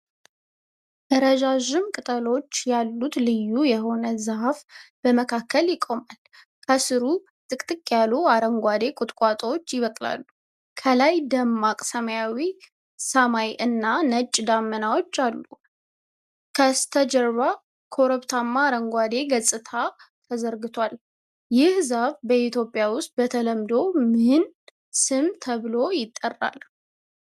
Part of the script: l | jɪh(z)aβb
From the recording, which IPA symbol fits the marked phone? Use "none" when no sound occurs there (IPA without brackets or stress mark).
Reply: z